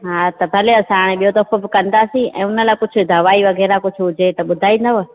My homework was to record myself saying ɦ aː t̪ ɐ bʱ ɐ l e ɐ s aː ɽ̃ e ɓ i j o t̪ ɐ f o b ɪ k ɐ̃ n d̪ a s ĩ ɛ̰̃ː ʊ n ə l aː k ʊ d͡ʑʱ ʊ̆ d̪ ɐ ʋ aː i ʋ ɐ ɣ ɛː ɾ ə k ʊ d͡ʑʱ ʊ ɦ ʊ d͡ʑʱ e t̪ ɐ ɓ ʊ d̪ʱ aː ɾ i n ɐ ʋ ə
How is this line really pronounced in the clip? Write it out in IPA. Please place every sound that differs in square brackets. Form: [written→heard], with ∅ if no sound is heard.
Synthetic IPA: ɦ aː t̪ ɐ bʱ ɐ l e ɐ s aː ɽ̃ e ɓ i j o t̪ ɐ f o b ɪ k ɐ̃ n d̪ a s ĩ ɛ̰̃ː ʊ n ə l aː k ʊ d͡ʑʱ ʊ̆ d̪ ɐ ʋ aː i ʋ ɐ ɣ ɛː ɾ [ə→a] k ʊ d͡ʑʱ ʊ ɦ ʊ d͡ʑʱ e t̪ ɐ ɓ ʊ d̪ʱ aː [ɾ→∅] i n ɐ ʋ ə